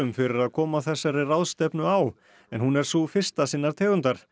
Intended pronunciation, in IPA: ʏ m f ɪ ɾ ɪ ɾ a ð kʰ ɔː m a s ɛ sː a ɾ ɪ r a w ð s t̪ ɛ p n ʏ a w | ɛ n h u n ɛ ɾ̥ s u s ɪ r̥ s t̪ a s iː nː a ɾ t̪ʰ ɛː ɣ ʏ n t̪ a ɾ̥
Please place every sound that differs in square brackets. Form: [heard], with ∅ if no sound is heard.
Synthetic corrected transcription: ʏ m f ɪ ɾ ɪ ɾ a ð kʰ ɔː m a [θ] ɛ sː a ɾ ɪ r a w ð s t̪ ɛ p n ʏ a w | ɛ n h u n ɛ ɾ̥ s u [f] ɪ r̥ s t̪ a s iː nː a ɾ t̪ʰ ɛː ɣ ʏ n t̪ a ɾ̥